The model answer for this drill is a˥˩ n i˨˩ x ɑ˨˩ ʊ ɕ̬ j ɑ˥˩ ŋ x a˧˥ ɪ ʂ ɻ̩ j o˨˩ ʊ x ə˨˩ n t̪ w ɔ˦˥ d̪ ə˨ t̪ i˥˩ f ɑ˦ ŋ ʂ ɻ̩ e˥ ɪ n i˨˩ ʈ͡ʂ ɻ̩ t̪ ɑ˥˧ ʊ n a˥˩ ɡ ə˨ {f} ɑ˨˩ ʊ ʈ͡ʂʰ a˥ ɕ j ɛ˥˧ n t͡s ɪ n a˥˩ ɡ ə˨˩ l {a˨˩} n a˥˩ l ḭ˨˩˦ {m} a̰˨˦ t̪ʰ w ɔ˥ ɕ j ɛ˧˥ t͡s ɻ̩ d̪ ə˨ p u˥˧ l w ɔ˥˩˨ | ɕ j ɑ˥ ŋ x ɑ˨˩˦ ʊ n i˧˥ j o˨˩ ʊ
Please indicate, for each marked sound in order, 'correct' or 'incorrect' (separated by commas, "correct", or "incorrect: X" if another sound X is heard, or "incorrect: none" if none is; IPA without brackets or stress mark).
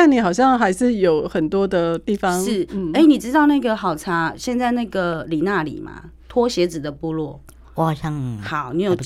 incorrect: x, incorrect: i˨˩, correct